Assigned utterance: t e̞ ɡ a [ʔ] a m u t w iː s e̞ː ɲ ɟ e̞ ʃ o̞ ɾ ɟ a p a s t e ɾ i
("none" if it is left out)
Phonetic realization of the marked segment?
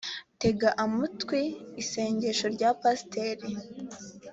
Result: ʔ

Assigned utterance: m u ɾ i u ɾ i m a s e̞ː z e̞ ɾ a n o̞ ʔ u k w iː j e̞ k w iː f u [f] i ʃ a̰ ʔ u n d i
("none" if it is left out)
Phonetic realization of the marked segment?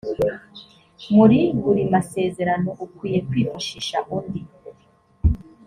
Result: ʃ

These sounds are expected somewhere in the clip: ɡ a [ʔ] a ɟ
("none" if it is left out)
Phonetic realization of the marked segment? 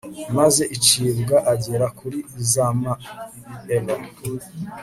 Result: ʔ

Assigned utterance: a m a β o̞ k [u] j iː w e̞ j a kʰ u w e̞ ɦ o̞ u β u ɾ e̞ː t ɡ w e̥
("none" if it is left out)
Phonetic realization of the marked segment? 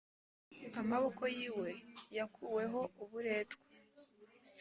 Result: o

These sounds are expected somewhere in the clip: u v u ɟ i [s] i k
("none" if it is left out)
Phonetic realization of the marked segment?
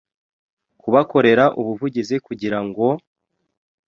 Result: z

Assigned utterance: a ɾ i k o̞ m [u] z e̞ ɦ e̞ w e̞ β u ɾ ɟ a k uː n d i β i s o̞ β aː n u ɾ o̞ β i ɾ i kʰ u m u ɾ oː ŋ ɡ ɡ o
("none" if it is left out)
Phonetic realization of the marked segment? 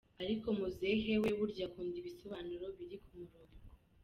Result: u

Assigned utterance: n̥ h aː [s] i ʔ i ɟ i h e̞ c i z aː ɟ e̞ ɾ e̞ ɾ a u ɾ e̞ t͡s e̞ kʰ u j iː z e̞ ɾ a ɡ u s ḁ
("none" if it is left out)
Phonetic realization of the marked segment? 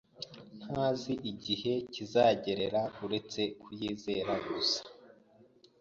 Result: z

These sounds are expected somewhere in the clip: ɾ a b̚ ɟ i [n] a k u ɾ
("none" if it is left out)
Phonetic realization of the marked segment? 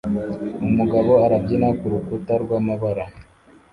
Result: n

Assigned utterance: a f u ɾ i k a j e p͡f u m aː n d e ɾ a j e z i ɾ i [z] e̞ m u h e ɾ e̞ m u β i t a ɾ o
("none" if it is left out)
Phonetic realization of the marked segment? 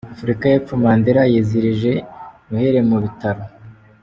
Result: ʒ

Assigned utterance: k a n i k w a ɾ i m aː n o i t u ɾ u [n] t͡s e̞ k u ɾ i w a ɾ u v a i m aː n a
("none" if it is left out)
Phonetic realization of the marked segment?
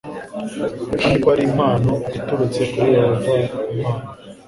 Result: none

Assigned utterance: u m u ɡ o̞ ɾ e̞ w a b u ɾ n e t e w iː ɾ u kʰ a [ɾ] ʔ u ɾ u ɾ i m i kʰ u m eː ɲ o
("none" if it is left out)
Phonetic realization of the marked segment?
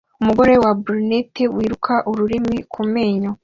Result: none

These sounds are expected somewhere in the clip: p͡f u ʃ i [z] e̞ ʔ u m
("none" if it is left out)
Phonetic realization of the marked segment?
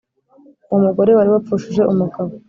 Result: ʒ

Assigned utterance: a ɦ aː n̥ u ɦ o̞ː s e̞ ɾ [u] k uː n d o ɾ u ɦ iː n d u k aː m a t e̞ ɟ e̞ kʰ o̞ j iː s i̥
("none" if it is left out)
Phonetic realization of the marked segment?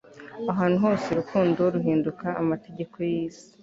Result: u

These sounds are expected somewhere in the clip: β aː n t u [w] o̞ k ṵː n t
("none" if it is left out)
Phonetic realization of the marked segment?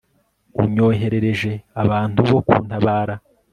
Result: β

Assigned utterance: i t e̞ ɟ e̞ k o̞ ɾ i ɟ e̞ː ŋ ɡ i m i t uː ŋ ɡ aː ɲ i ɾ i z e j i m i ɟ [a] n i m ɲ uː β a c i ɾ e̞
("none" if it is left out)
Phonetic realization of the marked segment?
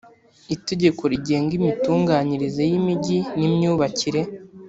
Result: i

